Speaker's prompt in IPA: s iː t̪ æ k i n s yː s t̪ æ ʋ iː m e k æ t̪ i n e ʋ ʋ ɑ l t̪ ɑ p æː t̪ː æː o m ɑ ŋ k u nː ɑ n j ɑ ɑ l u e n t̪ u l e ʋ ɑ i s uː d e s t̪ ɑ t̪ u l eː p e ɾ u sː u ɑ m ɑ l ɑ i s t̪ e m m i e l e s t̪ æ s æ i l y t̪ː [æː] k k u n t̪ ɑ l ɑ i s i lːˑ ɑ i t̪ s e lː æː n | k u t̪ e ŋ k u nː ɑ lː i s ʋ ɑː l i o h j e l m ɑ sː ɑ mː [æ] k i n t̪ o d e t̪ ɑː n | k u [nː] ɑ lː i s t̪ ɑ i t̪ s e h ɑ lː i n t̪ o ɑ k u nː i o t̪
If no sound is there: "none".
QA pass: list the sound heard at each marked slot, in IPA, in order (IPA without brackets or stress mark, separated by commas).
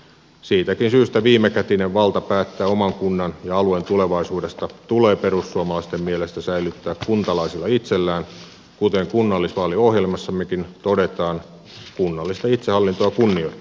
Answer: æː, e, nː